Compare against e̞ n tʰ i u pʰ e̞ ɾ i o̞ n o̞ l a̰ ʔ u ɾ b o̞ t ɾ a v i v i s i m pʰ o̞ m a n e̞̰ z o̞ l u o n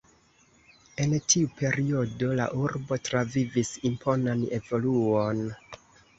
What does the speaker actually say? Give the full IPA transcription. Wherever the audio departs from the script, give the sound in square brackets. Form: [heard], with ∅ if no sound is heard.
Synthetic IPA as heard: e̞ n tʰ i u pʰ e̞ ɾ i o̞ [d] o̞ l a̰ ʔ u ɾ b o̞ t ɾ a v i v i s i m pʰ o̞ [n] a n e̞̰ [v] o̞ l u o n